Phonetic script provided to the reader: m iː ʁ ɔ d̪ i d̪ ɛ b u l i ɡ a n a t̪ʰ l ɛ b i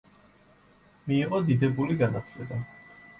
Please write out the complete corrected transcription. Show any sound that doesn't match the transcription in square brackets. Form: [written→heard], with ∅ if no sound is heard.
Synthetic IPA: m iː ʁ ɔ d̪ i d̪ ɛ b u l i ɡ a n a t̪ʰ l ɛ b [i→a]